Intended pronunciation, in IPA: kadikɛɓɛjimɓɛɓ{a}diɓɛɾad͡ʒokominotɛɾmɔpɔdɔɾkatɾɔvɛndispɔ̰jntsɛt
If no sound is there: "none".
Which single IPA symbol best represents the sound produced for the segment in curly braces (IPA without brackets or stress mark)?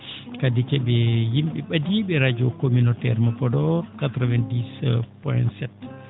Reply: a